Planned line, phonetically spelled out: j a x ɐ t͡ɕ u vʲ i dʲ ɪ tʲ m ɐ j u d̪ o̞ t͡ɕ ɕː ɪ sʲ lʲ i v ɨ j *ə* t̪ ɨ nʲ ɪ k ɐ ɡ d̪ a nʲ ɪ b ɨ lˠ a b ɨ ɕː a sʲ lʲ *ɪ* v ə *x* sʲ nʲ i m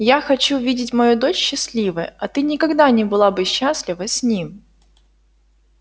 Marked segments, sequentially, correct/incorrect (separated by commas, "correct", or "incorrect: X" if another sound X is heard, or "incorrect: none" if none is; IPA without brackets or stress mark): incorrect: ɐ, correct, incorrect: none